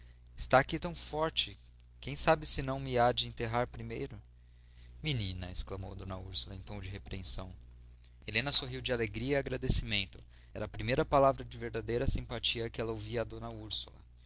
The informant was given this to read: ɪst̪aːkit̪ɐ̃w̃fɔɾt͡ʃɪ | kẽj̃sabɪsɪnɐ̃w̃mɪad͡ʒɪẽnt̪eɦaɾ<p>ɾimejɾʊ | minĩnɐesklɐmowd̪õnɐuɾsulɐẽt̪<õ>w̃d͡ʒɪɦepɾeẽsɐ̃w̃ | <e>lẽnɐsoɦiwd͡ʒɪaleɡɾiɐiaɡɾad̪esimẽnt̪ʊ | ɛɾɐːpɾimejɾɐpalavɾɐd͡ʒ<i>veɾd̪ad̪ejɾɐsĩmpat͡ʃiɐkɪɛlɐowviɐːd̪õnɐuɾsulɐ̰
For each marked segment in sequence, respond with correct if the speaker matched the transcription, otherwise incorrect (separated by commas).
correct, correct, correct, incorrect